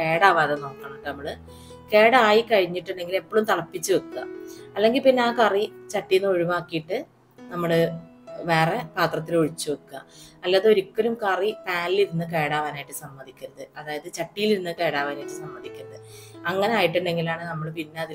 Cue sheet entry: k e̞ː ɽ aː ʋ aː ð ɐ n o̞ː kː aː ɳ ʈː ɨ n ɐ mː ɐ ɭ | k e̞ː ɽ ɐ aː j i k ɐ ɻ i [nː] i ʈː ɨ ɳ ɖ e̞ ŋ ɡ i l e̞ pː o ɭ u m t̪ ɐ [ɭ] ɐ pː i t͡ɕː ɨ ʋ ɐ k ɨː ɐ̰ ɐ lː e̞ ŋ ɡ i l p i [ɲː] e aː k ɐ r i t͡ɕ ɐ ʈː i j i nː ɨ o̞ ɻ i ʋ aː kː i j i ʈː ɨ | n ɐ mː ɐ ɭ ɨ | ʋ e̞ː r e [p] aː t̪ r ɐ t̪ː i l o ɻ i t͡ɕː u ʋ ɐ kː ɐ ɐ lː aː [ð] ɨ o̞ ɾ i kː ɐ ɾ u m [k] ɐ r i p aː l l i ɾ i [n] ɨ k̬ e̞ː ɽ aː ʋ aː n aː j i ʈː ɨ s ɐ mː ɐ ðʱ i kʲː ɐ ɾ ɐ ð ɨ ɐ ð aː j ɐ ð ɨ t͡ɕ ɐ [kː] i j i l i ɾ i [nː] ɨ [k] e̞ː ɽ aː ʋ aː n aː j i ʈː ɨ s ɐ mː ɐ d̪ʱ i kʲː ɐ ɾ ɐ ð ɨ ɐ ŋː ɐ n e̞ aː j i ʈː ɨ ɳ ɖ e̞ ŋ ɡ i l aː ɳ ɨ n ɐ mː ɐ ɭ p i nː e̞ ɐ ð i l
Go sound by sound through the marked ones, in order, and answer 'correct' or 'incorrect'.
incorrect: ɲː, correct, incorrect: nː, correct, correct, correct, incorrect: nː, incorrect: ʈː, correct, correct

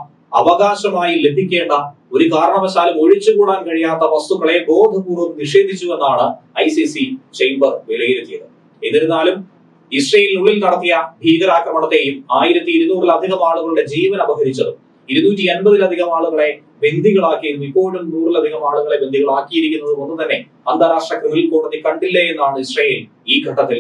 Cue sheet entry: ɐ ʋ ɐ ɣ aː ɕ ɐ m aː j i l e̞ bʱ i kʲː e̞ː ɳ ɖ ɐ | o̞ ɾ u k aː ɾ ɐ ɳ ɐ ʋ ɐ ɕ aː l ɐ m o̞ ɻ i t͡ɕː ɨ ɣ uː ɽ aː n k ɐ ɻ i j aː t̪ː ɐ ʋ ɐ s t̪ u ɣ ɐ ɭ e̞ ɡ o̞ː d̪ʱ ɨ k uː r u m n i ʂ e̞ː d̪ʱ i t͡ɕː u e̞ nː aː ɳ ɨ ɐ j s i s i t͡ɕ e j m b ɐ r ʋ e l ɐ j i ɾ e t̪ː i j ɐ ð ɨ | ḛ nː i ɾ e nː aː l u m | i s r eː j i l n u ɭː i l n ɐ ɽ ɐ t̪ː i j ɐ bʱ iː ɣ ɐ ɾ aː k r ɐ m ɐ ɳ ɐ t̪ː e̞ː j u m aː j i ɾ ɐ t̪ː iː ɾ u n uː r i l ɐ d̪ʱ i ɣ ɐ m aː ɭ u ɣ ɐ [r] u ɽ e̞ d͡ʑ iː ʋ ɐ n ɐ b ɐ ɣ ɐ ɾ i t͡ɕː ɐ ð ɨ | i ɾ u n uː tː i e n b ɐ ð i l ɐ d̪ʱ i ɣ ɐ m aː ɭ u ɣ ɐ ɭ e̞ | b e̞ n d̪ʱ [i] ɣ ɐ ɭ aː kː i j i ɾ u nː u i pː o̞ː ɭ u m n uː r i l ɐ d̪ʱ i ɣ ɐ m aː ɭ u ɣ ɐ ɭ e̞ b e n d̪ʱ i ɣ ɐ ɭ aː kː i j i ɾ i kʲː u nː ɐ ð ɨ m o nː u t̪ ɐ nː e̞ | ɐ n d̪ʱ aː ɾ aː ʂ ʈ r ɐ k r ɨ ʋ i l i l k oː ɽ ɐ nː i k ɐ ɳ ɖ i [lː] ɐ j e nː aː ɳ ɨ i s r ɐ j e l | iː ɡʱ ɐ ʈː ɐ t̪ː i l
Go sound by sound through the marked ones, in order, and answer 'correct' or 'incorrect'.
incorrect: ɭ, correct, correct

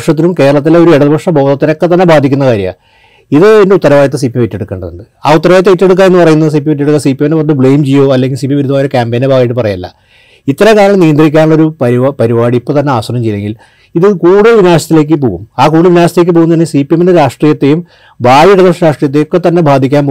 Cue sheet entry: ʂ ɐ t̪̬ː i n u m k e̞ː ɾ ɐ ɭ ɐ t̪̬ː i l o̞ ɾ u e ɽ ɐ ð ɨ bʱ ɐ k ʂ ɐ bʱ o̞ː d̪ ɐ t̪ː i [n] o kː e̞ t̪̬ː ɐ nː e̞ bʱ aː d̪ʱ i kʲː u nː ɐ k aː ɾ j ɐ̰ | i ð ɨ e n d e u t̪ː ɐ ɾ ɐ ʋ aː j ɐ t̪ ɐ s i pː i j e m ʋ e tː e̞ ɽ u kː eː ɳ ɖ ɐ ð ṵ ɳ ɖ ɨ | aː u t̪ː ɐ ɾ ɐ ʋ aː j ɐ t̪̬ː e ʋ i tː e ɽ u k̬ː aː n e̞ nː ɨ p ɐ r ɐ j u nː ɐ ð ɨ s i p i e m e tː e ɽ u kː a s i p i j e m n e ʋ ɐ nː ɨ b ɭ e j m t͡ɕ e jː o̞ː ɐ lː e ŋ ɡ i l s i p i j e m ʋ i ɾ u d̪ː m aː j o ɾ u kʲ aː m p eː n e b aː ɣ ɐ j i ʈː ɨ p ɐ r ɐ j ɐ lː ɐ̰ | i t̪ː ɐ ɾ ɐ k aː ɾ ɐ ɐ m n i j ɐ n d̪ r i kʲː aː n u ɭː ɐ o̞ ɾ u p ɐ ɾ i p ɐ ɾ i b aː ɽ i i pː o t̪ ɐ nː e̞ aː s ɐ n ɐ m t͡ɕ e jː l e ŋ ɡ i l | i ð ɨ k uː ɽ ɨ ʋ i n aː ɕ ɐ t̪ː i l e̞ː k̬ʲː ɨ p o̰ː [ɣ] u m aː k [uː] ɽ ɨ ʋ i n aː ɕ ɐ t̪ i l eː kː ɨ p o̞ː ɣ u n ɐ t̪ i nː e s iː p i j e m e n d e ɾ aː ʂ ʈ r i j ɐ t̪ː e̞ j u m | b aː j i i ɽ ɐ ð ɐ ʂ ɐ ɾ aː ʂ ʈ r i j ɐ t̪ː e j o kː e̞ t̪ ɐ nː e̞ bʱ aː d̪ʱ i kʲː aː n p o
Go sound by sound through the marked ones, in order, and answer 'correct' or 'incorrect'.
correct, correct, correct

